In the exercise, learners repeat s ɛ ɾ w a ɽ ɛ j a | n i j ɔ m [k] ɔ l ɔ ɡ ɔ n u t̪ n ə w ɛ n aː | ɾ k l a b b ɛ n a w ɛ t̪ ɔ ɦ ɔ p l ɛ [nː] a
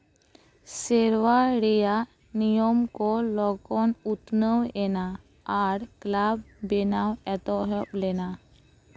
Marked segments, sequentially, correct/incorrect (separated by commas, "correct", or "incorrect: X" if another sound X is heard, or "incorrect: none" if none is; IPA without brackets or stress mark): correct, incorrect: n